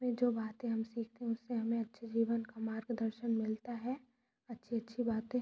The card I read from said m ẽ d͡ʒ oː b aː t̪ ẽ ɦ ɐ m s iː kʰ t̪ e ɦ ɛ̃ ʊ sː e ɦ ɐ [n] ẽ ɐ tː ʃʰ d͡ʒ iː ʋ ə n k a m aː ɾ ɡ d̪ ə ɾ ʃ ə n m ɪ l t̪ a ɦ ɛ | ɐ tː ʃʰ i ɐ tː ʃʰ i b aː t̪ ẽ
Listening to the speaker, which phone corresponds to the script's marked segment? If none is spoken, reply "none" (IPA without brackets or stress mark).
m